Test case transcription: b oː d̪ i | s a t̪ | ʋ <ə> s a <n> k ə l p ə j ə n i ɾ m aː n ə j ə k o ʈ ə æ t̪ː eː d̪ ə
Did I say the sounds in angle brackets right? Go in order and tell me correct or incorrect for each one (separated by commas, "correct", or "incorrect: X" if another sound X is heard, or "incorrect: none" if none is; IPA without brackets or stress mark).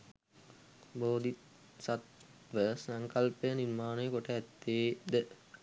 correct, incorrect: ŋ